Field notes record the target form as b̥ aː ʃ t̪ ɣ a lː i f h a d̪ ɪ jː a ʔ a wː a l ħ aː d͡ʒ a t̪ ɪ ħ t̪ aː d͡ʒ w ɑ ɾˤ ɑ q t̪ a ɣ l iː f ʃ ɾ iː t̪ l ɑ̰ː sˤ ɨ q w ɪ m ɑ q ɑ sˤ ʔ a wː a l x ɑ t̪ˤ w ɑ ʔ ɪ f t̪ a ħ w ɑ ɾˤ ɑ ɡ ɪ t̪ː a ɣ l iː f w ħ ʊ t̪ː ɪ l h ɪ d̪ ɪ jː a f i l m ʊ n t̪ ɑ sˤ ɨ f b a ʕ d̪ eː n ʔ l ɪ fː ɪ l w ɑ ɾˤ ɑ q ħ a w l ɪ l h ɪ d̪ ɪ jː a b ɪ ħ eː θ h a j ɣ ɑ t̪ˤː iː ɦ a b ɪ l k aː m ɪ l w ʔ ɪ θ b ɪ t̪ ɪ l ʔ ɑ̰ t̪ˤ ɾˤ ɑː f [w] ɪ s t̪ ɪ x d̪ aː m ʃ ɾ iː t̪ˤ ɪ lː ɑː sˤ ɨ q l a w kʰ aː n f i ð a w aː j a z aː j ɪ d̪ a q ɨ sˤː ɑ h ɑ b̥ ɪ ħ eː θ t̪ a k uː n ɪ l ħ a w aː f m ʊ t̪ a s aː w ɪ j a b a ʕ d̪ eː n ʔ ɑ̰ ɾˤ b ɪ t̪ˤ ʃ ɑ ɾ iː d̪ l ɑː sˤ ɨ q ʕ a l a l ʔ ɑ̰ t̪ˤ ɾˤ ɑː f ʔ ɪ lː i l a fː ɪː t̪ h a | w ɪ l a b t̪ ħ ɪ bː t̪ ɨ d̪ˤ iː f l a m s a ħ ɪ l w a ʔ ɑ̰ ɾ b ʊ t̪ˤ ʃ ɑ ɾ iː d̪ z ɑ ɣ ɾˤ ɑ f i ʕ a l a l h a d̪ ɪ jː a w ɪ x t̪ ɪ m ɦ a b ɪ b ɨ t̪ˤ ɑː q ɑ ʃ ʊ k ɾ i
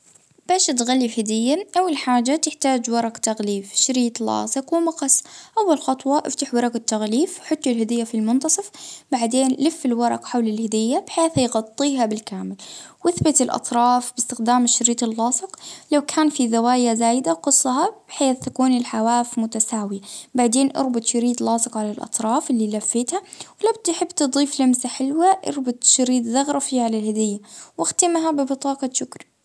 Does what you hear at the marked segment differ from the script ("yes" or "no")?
yes